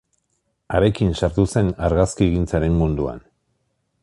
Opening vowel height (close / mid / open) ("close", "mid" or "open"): open